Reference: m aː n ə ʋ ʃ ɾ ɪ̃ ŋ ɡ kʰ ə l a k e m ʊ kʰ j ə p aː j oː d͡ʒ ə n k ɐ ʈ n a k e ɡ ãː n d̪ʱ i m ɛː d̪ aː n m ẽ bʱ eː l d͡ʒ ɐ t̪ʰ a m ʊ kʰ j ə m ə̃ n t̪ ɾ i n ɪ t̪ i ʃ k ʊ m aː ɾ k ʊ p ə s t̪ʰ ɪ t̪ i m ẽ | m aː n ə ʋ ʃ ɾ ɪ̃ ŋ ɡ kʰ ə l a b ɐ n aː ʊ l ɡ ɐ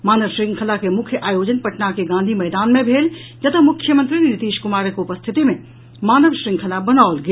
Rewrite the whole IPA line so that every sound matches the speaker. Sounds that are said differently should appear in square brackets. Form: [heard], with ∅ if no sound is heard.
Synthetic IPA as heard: m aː n ə ʋ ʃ ɾ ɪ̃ ŋ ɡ kʰ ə l a k e m ʊ kʰ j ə [ʔ] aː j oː d͡ʒ ə n [p] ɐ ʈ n a k e ɡ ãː n d̪ʱ i m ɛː d̪ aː n m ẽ bʱ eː l d͡ʒ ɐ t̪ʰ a m ʊ kʰ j ə m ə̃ n t̪ ɾ i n ɪ t̪ [iː] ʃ k ʊ m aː ɾ k ʊ p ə s t̪ʰ ɪ t̪ i m ẽ | m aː n ə ʋ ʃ ɾ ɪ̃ ŋ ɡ kʰ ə l a b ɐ n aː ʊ l ɡ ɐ